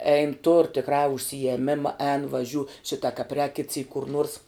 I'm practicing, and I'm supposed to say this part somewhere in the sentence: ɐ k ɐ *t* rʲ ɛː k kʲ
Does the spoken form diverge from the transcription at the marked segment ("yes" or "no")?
yes